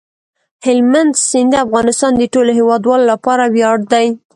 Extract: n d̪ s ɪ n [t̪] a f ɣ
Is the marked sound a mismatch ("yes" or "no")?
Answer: yes